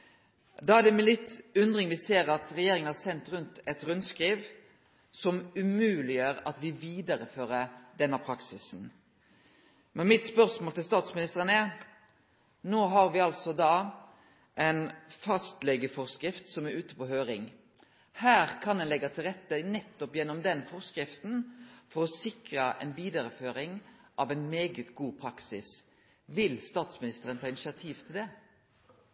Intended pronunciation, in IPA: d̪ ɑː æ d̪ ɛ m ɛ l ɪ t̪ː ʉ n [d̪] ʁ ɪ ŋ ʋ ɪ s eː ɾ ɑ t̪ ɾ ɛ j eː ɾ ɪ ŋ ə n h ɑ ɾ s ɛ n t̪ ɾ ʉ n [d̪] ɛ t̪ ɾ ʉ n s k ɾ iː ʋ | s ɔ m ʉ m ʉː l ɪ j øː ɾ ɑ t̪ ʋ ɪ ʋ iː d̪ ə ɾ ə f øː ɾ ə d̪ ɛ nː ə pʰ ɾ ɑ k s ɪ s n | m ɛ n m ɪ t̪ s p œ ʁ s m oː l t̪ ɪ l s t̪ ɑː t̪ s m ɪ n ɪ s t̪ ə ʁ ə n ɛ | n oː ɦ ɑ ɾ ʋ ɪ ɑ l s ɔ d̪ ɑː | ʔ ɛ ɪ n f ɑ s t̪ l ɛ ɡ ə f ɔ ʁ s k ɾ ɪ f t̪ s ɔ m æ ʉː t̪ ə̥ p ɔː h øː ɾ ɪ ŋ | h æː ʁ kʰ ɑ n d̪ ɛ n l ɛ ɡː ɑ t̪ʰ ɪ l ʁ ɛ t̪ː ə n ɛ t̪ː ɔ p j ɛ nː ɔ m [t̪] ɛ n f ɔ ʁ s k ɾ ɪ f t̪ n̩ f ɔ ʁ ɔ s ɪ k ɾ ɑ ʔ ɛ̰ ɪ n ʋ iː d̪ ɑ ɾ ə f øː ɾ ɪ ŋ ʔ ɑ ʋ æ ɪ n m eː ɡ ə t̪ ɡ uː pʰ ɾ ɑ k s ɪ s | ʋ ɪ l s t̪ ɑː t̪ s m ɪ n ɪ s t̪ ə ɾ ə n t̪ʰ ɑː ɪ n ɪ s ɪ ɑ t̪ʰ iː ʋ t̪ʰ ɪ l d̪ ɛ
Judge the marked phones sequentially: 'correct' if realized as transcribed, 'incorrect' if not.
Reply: correct, incorrect: t̪, incorrect: d̪

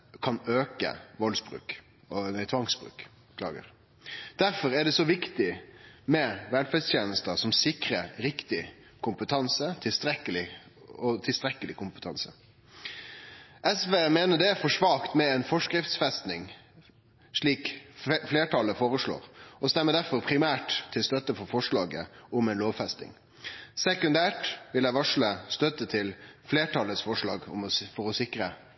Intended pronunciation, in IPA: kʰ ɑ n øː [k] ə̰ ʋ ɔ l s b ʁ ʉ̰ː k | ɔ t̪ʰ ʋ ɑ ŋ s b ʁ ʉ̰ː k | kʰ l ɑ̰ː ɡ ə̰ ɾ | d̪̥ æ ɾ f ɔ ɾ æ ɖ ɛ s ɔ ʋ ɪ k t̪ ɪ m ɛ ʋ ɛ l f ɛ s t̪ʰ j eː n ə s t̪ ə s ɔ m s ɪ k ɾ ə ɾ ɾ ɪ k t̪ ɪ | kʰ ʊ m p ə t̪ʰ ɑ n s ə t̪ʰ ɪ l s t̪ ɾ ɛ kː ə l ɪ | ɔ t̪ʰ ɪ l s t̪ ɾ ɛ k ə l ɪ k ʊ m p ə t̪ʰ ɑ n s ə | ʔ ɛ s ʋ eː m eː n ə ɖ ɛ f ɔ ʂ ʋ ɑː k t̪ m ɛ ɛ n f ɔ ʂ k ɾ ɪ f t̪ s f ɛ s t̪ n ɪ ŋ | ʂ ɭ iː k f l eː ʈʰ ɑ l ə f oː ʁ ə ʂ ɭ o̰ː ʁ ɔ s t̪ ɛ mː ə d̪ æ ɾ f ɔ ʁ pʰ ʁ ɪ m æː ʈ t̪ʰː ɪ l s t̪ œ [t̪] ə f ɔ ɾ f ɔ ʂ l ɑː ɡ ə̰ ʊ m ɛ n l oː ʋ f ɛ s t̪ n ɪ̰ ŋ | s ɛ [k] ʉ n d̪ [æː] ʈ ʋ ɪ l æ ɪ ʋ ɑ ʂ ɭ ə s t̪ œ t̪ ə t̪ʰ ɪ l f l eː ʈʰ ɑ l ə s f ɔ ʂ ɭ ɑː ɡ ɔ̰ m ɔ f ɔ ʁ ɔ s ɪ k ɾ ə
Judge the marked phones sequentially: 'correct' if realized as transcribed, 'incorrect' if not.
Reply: correct, correct, correct, correct

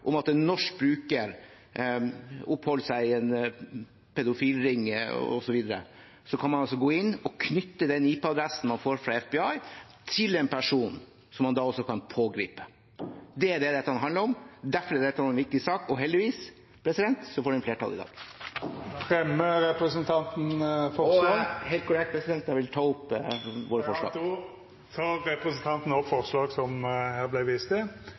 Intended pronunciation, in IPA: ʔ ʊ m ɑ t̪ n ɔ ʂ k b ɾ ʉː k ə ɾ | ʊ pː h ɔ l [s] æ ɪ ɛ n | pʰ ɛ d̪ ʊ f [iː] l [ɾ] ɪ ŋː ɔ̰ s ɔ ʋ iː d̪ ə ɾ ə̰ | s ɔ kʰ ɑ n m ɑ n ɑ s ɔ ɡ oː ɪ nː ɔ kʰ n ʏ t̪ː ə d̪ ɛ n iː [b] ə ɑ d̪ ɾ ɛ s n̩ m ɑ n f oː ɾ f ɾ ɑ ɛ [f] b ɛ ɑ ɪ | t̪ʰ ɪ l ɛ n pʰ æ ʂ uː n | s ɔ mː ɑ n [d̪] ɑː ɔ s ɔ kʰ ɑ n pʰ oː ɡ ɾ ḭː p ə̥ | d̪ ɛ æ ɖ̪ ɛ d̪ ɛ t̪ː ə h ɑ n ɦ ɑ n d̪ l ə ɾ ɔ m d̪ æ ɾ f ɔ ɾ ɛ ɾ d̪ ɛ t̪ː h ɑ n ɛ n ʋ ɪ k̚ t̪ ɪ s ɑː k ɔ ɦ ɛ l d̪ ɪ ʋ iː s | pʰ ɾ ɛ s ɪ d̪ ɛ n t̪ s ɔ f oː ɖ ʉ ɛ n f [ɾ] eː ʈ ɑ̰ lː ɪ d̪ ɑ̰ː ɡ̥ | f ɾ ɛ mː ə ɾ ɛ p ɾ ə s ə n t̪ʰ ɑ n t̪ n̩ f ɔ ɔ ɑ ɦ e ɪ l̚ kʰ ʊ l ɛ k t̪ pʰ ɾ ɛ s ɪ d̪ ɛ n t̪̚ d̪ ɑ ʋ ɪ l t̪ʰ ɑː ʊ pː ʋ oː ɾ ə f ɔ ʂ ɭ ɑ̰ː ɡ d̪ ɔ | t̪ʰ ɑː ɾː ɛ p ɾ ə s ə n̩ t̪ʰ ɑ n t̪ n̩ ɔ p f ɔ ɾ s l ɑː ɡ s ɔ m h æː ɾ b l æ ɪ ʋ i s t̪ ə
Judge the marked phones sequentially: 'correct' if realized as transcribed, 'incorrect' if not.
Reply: correct, correct, correct, incorrect: p, correct, correct, incorrect: l

